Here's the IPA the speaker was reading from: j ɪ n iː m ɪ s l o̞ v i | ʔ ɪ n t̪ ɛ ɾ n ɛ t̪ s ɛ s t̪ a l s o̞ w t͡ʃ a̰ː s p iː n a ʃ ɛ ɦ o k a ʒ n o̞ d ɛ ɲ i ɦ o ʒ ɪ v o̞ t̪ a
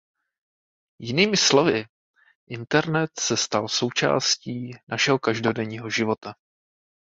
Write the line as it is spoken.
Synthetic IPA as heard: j ɪ n iː m ɪ s l o̞ v ɪ | ʔ ɪ n t̪ ɛ ɾ n ɛ t̪ s ɛ s t̪ a l s o̞ w t͡ʃ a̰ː s c iː n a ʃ ɛ ɦ o k a ʒ d o̞ d ɛ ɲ iː ɦ o ʒ ɪ v o̞ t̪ a